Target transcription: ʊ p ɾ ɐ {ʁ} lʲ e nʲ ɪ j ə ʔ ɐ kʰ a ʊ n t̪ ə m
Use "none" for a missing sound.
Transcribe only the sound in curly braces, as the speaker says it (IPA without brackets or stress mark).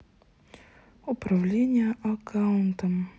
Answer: v